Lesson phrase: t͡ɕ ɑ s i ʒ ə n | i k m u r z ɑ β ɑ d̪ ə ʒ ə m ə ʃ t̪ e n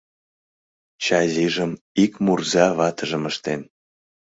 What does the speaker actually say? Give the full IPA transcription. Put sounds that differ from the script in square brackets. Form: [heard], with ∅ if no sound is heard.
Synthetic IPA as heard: t͡ɕ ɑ [z] i ʒ ə [m] | i k m u r z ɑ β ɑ [t̪] ə ʒ ə m ə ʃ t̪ e n

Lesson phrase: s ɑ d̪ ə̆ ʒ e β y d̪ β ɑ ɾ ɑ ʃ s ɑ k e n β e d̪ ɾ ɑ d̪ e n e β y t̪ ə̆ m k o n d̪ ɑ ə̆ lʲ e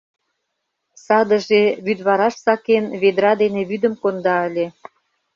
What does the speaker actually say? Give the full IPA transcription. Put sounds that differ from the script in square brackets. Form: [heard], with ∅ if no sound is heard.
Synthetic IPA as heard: s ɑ d̪ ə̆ ʒ e β y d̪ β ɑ ɾ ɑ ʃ s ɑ k e n β e d̪ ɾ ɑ d̪ e n e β y [d̪] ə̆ m k o n d̪ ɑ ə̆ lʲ e

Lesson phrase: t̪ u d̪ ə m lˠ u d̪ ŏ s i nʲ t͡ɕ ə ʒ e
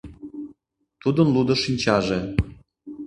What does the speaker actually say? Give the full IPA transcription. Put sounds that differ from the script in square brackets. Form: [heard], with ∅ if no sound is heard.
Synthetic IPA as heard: t̪ u d̪ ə [n] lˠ u d̪ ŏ [ʃ] i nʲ t͡ɕ [ɑ] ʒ e

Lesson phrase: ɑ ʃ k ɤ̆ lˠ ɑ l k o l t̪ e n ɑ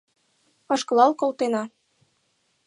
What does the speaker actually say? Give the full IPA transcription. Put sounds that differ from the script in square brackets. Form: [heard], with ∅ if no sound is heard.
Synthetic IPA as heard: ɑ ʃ k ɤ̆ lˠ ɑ l k o l t̪ e n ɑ

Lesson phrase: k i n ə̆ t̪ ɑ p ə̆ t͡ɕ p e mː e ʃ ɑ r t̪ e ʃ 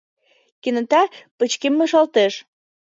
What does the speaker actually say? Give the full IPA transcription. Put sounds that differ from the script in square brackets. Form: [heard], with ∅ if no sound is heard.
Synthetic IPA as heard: k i n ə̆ t̪ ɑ p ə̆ t͡ɕ [k] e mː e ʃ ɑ [l] t̪ e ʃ

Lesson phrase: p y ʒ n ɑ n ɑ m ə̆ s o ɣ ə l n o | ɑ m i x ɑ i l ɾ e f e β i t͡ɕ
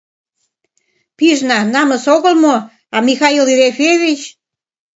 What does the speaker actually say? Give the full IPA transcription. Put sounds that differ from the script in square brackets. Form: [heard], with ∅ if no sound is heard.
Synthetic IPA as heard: p [i] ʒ n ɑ n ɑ m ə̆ s o ɣ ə l [m] o | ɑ m i x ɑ i l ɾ e f e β i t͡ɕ

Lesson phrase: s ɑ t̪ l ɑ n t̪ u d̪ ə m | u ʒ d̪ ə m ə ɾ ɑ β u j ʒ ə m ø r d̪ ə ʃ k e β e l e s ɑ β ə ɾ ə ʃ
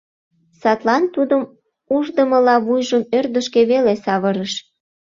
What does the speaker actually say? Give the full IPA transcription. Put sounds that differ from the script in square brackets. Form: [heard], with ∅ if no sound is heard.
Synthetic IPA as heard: s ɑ t̪ l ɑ n t̪ u d̪ ə m | u ʒ d̪ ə m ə [l] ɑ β u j ʒ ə m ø r d̪ ə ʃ k e β e l e s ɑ β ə ɾ ə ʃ

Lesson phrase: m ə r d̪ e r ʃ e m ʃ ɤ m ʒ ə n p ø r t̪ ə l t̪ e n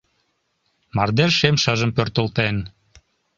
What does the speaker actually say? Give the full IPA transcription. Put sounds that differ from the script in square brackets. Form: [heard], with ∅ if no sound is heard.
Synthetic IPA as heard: m [ɑ] r d̪ e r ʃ e m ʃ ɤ [∅] ʒ ə [m] p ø r t̪ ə l t̪ e n

